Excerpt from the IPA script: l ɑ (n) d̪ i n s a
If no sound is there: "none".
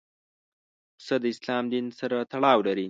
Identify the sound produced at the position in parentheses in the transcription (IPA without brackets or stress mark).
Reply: m